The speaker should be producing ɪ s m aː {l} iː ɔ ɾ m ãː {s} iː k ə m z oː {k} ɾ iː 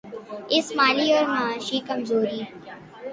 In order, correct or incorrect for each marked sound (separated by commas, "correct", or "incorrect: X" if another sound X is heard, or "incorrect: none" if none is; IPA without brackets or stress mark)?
correct, incorrect: ʃ, incorrect: none